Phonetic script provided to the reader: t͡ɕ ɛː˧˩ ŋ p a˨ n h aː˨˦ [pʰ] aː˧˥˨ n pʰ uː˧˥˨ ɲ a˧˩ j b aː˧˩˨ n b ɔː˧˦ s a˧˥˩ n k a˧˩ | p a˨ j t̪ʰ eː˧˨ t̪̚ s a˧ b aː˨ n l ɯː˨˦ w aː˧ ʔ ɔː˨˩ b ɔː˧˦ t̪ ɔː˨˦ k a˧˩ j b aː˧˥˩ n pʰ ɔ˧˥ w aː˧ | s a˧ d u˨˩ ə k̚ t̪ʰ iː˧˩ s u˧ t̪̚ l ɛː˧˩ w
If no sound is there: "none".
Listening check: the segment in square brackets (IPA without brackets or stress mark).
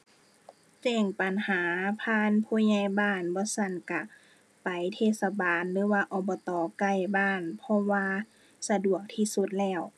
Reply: pʰ